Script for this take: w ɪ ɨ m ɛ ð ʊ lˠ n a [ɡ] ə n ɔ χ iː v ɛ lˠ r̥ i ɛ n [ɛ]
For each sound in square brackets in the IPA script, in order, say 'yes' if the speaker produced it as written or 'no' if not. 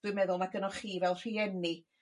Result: yes, no

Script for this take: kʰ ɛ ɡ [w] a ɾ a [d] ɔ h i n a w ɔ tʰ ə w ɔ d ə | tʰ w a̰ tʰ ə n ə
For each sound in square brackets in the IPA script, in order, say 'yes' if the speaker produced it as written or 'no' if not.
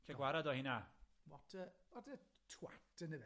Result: yes, yes

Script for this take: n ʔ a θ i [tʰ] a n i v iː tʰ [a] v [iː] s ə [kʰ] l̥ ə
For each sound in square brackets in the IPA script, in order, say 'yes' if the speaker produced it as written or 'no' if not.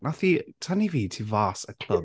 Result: yes, no, no, yes

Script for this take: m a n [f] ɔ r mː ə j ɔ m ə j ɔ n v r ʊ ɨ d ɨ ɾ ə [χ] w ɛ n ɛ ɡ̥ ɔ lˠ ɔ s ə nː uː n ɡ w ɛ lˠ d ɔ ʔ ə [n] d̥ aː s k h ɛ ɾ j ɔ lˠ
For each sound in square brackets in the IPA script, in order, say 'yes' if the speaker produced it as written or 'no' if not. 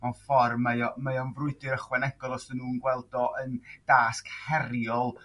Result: yes, yes, yes

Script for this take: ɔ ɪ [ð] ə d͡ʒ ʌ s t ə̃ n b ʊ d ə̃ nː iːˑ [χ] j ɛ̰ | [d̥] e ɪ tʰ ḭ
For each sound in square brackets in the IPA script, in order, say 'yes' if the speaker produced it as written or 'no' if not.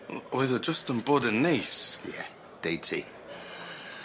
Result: yes, no, yes

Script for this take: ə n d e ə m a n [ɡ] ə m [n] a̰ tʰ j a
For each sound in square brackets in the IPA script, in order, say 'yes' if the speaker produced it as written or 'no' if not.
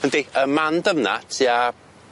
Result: no, yes

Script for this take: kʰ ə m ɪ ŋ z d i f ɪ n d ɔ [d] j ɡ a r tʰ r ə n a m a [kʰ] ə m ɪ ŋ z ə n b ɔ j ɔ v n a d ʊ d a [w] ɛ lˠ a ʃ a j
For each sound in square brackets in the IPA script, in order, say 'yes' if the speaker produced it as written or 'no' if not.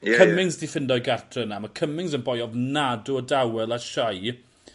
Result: no, yes, yes

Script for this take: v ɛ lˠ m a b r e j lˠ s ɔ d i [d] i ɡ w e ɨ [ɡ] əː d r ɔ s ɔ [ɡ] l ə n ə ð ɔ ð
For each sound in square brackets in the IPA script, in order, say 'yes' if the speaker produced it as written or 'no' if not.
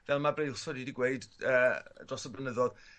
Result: yes, no, no

